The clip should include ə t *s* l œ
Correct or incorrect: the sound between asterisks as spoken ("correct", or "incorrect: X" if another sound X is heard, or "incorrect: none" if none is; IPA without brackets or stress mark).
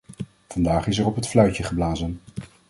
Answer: incorrect: f